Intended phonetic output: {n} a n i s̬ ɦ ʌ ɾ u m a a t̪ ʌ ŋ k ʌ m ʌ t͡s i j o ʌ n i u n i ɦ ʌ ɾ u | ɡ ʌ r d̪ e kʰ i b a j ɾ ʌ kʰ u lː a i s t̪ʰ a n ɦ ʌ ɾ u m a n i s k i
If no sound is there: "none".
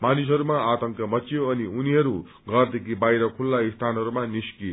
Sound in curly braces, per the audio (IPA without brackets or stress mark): m